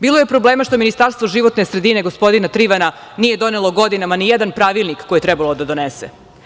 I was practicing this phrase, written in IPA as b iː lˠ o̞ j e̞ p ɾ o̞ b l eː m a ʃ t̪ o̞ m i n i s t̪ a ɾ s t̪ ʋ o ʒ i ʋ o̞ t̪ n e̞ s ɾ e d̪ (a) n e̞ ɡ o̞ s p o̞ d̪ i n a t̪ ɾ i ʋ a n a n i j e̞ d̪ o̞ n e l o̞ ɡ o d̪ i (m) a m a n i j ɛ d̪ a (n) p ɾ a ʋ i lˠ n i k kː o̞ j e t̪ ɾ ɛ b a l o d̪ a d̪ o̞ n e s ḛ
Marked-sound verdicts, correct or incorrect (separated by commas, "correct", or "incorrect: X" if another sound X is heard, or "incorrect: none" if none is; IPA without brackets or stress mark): incorrect: i, incorrect: n, correct